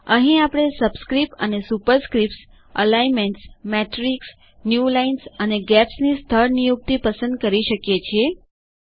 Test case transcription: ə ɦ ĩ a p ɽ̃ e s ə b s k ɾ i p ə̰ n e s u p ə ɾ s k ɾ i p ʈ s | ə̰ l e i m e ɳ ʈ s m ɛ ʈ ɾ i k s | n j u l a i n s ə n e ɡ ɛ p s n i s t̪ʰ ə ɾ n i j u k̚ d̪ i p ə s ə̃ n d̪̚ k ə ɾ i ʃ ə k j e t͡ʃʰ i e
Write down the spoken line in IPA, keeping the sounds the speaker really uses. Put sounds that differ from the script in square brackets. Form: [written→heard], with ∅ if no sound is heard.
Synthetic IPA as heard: ə ɦ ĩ a p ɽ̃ e s ə b s k ɾ i p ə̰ n e s u p ə ɾ s k ɾ i p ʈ s | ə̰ l [e→a] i m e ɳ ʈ s m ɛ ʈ ɾ i k s | n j u l a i n s ə n e ɡ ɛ p s n i s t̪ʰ ə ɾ n i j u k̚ [d̪→t̪] i p ə s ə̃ n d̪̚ k ə ɾ i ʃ ə k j e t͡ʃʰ i e